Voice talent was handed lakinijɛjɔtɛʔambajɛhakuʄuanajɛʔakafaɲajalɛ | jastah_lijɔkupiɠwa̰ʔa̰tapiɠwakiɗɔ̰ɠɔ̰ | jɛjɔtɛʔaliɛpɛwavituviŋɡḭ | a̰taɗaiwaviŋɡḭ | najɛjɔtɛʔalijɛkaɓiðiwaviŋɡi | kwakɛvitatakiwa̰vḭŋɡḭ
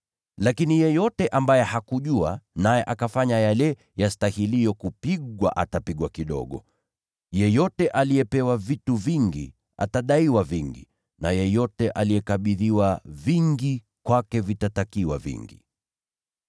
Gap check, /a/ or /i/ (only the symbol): i